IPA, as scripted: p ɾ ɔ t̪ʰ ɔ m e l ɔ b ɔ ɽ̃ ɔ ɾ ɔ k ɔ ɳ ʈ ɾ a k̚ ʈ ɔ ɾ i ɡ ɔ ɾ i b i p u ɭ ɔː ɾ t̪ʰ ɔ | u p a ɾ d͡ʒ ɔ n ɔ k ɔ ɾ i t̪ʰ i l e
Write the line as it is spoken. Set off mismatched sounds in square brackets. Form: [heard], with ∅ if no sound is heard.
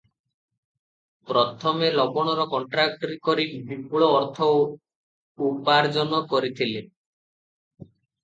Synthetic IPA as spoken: p ɾ ɔ t̪ʰ ɔ m e l ɔ b ɔ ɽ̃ ɔ ɾ ɔ k ɔ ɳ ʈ ɾ a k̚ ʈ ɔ ɾ i [k] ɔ ɾ i b i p u ɭ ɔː ɾ t̪ʰ ɔ | u p a ɾ d͡ʒ ɔ n ɔ k ɔ ɾ i t̪ʰ i l e